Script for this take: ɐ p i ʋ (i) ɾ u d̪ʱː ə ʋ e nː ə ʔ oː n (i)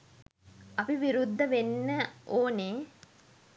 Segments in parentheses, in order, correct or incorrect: correct, incorrect: e

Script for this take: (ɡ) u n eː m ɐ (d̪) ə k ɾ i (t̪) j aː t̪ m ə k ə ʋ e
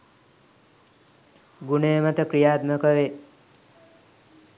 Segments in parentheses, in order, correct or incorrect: correct, incorrect: t̪, incorrect: none

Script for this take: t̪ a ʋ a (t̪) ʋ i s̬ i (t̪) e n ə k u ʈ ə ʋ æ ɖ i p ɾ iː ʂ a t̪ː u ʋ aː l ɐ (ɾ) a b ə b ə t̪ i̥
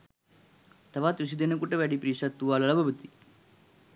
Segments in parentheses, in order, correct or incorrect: correct, incorrect: d̪, incorrect: l

